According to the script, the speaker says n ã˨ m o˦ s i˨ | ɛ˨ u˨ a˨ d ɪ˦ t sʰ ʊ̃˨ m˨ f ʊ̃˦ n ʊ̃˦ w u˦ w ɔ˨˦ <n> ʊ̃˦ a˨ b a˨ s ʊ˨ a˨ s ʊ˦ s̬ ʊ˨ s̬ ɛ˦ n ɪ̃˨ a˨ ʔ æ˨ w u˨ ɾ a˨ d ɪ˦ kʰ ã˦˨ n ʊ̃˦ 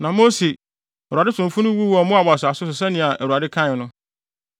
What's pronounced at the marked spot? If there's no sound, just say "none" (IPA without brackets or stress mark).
m